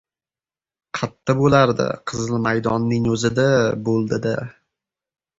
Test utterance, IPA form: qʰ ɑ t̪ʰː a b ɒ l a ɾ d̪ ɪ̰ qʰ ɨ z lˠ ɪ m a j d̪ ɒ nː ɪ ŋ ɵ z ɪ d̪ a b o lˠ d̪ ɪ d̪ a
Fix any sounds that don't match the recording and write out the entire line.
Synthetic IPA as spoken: qʰ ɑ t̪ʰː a b o l a ɾ d̪ ɪ̰ qʰ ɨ z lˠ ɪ m a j d̪ ɒ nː ɪ ŋ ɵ z ɪ d̪ a b o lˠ d̪ ɪ d̪ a